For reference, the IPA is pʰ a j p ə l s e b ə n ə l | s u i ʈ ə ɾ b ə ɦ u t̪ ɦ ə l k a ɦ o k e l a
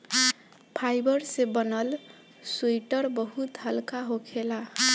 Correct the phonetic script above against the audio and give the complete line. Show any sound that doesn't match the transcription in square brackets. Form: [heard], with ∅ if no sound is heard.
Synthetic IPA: pʰ a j [b] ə [ɾ] s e b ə n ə l | s u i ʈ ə ɾ b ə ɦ u t̪ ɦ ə l k a ɦ o [kʰ] e l a